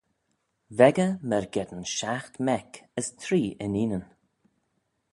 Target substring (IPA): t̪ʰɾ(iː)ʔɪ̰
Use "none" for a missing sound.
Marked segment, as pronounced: iː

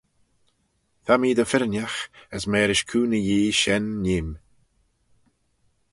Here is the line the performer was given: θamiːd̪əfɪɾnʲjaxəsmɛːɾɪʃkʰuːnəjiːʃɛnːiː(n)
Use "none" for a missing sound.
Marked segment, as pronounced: m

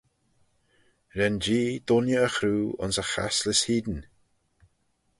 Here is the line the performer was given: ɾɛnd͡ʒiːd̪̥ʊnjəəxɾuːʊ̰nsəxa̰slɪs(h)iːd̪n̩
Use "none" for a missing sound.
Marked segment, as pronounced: h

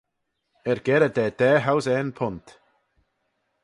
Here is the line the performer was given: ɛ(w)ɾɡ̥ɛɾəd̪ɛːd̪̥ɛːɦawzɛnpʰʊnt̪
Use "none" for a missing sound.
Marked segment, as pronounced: none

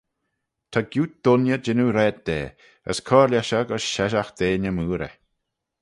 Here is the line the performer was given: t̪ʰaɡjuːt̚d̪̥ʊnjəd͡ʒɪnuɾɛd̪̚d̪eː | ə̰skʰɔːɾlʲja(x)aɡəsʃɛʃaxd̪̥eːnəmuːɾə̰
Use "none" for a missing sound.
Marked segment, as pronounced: ʃ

